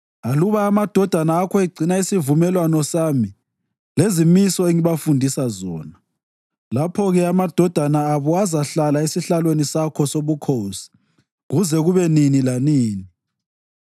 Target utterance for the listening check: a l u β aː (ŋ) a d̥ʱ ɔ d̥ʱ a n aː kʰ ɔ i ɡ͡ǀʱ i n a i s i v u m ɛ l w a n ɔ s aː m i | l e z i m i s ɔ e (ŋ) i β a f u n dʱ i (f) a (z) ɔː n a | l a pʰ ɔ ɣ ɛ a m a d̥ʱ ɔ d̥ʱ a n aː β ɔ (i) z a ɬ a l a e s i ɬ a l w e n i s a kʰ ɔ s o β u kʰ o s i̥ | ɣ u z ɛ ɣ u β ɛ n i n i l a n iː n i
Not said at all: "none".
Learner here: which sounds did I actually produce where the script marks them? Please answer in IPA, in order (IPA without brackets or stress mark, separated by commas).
m, ŋ, s, z, a